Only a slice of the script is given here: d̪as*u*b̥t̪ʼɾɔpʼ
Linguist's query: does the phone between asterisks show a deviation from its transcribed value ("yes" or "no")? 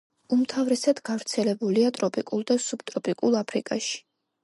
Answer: no